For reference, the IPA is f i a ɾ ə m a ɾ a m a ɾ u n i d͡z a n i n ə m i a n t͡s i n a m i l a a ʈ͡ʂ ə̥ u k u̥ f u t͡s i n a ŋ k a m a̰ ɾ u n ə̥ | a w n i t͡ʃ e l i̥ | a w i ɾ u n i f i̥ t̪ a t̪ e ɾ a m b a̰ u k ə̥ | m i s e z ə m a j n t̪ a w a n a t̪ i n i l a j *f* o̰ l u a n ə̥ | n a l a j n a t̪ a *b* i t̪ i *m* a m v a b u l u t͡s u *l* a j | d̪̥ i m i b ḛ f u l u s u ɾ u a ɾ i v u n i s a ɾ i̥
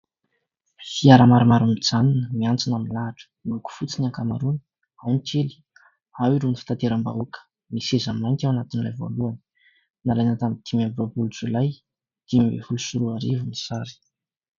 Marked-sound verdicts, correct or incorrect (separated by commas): incorrect, incorrect, correct, correct